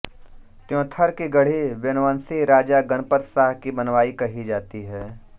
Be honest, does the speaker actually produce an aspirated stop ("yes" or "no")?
yes